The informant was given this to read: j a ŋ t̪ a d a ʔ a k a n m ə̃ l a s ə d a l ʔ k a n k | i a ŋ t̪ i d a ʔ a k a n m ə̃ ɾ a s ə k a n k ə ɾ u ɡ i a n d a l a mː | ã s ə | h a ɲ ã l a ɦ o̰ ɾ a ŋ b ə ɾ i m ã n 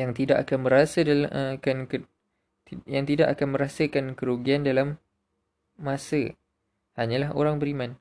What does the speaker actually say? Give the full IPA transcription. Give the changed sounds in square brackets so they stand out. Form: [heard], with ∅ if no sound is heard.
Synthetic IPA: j a ŋ t̪ [i] d a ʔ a k a n m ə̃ [ɾ] a s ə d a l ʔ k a n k | [j] a ŋ t̪ i d a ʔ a k a n m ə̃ ɾ a s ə k a n k ə ɾ u ɡ i a n d a l a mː | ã s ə | h a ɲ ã l a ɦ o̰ ɾ a ŋ b ə ɾ i m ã n